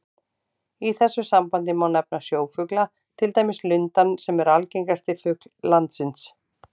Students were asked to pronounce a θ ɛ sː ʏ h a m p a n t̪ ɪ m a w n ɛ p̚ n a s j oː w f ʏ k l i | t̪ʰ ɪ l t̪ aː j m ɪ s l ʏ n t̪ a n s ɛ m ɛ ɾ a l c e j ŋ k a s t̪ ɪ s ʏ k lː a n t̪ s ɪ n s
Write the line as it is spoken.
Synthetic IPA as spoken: i θ ɛ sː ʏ s a m p a n t̪ ɪ m a w n ɛ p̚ n a s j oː w f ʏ k l a | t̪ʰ ɪ l t̪ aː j m ɪ s l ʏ n t̪ a n s ɛ m ɛ ɾ a l c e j ŋ k a s t̪ ɪ f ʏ k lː a n t̪ s ɪ n s